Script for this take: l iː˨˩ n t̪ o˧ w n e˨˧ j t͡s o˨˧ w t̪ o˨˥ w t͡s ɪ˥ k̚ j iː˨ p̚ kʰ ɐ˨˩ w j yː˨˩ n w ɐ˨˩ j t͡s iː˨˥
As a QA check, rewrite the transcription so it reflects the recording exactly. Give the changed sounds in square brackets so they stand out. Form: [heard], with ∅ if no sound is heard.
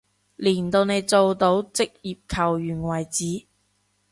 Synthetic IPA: l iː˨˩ n t̪ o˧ w n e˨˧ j t͡s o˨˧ w t̪ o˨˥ w t͡s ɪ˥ k̚ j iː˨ p̚ kʰ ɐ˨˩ w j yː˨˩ n w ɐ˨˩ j t͡s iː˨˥

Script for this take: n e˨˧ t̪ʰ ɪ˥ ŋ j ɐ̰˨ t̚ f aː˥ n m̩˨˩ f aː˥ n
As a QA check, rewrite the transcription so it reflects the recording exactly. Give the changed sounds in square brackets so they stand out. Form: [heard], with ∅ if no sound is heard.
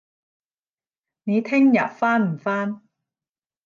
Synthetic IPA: n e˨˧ t̪ʰ ɪ˥ ŋ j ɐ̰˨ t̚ f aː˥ n m̩˨˩ f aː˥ n

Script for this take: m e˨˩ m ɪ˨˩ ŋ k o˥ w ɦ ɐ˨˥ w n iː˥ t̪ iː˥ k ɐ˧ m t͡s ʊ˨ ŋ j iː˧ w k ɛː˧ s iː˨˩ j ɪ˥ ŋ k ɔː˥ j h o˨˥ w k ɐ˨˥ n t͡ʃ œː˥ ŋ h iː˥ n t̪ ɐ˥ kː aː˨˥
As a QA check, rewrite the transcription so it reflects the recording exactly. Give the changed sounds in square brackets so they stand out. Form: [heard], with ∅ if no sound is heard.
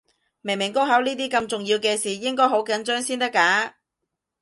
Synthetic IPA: m e˨˩ m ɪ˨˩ ŋ k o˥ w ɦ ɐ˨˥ w n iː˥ t̪ iː˥ k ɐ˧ m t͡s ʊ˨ ŋ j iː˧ w k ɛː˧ s iː˨˩ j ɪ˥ ŋ k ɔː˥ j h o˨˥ w k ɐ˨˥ n t͡ʃ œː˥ ŋ [s] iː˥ n t̪ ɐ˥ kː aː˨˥

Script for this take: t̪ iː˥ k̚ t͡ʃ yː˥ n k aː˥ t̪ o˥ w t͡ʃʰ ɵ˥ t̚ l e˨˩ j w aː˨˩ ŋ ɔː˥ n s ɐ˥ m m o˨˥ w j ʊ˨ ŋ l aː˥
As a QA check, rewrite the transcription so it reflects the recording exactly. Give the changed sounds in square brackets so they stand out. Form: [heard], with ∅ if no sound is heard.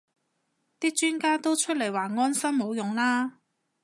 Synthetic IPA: t̪ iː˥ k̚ t͡ʃ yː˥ n k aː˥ t̪ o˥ w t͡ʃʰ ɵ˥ t̚ l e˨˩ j w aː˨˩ ŋ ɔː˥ n s ɐ˥ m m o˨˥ w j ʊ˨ ŋ l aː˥

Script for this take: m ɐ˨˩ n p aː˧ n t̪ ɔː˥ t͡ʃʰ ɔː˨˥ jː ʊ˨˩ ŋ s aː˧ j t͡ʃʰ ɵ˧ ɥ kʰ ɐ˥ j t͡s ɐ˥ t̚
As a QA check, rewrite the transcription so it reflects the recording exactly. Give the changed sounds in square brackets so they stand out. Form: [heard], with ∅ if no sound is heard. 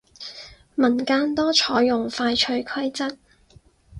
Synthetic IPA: m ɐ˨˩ n [k] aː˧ n t̪ ɔː˥ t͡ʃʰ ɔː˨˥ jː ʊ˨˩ ŋ [f] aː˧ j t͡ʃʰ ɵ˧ ɥ kʰ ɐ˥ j t͡s ɐ˥ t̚

